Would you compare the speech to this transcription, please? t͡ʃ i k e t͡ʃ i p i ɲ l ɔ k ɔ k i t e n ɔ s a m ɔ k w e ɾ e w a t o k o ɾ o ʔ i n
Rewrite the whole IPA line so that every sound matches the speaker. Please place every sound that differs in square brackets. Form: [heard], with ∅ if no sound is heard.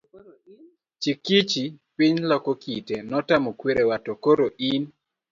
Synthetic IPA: t͡ʃ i k [i] t͡ʃ i p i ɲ l ɔ k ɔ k i t e n ɔ [t] a m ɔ k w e ɾ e w a t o k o ɾ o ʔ i n